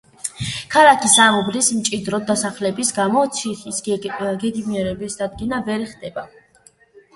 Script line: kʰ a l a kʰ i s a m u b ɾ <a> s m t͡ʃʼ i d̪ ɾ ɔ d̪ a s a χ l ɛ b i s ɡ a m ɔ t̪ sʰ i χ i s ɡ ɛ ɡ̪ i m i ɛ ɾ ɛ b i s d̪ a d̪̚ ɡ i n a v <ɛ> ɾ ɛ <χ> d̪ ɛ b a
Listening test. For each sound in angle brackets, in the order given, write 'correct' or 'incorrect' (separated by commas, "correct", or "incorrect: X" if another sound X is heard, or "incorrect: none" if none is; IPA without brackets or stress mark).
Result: incorrect: i, correct, correct